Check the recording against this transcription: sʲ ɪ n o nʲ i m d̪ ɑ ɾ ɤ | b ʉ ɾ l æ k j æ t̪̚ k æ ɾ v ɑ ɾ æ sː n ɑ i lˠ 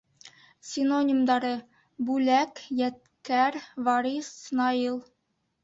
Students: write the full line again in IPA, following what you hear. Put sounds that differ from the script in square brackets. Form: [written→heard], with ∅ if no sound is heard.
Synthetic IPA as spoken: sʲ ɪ n o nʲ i m d̪ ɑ ɾ ɤ | b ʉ [ɾ→∅] l æ k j æ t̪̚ k æ ɾ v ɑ ɾ [æ→i] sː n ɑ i lˠ